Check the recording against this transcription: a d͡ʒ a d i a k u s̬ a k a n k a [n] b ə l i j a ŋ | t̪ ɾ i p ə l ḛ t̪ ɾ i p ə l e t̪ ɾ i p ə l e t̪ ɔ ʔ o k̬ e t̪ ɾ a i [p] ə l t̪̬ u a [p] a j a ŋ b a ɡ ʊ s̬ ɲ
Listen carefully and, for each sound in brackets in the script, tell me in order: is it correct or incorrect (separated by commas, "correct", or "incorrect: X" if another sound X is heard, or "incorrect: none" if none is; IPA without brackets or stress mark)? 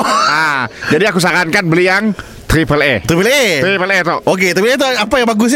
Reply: correct, correct, correct